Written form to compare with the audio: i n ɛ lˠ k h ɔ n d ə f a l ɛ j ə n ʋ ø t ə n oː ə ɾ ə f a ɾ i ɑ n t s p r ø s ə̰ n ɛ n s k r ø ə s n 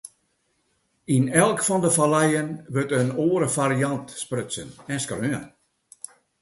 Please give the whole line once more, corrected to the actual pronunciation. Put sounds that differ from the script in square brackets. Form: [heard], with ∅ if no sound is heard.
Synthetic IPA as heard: i n ɛ lˠ k [f] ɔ n d ə f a l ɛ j ə n ʋ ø t ə n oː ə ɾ ə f a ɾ i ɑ n t s p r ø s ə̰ n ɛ n s k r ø ə [∅] n